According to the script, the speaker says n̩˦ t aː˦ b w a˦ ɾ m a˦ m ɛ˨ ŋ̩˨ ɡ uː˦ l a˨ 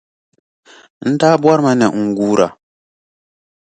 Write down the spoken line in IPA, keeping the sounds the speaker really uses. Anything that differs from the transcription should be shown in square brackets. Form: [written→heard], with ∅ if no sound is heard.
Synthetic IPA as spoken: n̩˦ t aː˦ b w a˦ ɾ m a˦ [m→n] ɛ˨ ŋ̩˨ ɡ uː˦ [l→ɾ] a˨